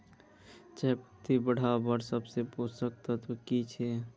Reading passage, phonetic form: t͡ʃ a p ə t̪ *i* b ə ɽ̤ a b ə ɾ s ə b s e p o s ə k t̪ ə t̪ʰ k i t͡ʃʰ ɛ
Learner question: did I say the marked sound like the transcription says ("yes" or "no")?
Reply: yes